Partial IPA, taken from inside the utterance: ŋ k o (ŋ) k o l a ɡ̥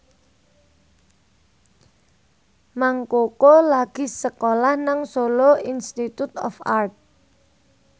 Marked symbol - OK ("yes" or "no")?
no